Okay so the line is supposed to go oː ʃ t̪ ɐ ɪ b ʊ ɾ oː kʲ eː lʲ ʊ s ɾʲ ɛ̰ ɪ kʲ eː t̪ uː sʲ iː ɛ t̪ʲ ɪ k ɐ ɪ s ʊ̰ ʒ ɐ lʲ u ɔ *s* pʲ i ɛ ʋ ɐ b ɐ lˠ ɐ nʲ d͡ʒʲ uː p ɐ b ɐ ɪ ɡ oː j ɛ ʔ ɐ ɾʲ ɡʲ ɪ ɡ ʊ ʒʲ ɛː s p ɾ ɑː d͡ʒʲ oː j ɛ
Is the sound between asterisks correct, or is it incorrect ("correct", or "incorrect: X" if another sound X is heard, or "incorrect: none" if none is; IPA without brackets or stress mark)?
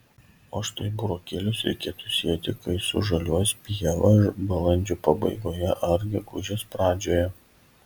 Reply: correct